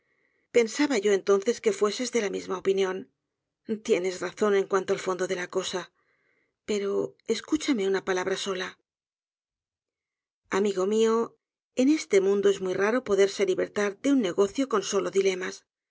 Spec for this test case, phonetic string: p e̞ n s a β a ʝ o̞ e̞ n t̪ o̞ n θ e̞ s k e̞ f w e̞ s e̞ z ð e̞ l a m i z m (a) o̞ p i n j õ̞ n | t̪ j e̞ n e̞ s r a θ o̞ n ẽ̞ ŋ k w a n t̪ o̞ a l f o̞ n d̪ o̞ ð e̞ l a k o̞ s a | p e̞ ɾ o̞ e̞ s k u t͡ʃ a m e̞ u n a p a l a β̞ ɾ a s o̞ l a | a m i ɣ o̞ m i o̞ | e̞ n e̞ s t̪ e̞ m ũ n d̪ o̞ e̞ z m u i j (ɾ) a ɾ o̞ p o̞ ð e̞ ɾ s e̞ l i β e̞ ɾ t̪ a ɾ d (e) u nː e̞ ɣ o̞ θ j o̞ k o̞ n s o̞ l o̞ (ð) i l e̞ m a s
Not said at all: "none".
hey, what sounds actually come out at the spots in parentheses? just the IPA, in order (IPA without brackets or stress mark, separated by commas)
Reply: a, r, e, ð